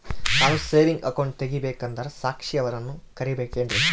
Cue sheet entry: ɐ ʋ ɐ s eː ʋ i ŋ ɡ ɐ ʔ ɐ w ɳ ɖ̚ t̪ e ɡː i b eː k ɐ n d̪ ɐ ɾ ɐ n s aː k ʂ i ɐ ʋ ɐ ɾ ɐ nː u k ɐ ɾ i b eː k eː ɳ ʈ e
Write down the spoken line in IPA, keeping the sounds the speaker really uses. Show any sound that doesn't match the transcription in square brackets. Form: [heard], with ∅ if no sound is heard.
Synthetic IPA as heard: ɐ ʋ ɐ s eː ʋ i ŋ ɡ ɐ [k] ɐ w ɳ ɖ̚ t̪ e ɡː i b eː k ɐ n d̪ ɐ ɾ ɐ [∅] s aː k ʂ i ɐ ʋ ɐ ɾ ɐ nː u k ɐ ɾ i b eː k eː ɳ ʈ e